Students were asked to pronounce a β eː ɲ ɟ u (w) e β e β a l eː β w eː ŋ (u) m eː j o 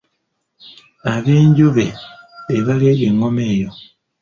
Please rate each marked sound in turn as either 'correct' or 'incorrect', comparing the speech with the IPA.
incorrect: β, incorrect: o

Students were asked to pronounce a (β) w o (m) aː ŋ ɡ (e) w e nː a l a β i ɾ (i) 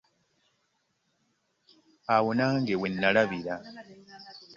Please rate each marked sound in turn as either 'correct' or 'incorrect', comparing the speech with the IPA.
incorrect: none, incorrect: n, correct, incorrect: a

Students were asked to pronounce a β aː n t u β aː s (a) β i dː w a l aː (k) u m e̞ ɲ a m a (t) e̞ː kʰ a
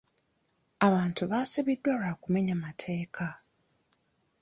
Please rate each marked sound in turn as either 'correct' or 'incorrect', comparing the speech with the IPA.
incorrect: i, correct, incorrect: tʰ

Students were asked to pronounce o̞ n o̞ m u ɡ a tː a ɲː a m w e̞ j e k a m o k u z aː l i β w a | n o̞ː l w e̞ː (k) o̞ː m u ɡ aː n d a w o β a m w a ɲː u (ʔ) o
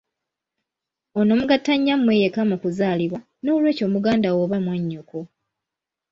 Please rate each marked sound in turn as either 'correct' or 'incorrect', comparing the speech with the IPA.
incorrect: c, incorrect: k

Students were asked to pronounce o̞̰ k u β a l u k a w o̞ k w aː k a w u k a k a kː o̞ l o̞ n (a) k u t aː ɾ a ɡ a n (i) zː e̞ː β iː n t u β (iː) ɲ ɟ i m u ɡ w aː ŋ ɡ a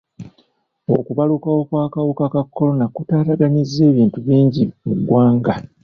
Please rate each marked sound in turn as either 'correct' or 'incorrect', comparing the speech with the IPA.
correct, correct, correct

